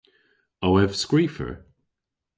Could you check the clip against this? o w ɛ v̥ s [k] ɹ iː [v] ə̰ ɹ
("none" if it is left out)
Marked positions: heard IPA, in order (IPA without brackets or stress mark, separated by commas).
k, f